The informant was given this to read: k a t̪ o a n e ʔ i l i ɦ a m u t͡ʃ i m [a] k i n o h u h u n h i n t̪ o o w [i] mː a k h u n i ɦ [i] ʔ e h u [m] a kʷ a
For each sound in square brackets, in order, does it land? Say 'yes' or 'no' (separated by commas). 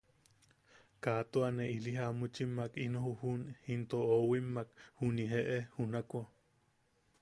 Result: yes, yes, no, no